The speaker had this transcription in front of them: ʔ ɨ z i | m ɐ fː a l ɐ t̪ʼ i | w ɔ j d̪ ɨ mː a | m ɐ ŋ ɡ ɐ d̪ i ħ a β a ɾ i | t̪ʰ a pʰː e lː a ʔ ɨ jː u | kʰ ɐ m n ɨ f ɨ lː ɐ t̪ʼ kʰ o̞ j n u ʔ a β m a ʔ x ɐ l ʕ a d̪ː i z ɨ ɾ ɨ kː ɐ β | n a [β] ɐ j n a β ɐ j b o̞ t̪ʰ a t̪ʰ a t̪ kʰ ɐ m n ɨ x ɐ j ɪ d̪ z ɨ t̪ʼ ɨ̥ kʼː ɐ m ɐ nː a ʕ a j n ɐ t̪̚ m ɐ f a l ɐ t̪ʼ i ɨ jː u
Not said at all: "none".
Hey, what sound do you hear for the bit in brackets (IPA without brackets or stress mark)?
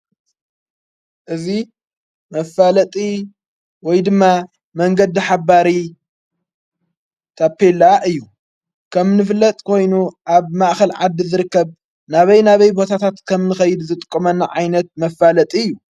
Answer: β